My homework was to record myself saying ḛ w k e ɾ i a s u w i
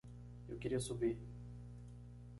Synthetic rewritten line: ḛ w k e ɾ i ɐ s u b i